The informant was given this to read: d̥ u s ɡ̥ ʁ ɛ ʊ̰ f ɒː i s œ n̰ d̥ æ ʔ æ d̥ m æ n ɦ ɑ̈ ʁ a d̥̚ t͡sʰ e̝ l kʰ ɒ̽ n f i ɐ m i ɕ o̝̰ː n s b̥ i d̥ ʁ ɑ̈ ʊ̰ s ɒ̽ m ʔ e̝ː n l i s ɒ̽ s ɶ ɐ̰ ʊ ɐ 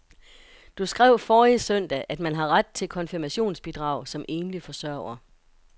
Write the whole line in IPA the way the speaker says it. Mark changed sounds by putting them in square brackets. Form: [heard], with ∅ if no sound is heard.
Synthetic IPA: d̥ u s ɡ̥ ʁ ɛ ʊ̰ f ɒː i s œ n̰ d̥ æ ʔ æ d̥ m æ n ɦ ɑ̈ ʁ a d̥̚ t͡sʰ e̝ l kʰ ɒ̽ n f i ɐ m [æ] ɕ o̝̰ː n s b̥ i d̥ ʁ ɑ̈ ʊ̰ s ɒ̽ m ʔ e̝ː n l i [f] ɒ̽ s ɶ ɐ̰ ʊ ɐ